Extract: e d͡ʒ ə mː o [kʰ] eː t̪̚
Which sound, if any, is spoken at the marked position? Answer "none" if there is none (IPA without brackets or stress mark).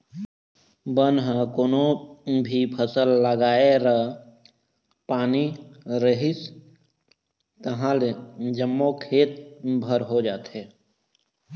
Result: kʰ